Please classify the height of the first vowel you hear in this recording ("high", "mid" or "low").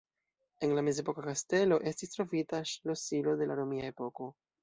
mid